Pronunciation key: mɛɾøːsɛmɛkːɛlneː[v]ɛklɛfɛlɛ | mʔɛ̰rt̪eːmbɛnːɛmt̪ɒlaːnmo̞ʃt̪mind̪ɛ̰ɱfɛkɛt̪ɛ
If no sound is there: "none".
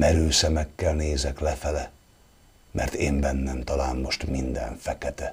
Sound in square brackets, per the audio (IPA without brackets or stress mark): z